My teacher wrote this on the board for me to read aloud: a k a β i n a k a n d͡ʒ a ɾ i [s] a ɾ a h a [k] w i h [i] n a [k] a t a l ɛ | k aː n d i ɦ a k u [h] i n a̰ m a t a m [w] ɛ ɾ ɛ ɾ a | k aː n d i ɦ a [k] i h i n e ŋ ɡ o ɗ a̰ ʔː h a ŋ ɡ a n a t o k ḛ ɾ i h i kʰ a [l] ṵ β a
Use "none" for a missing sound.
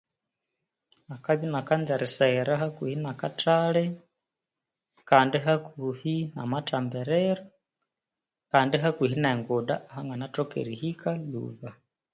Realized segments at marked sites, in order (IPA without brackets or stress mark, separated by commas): s, k, i, k, h, b, k, l